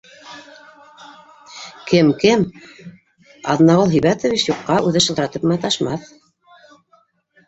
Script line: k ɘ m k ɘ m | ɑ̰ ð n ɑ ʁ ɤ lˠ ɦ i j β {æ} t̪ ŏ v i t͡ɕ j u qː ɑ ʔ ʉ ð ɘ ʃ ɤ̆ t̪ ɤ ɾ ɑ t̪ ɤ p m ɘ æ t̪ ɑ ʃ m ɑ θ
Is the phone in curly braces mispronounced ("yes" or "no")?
no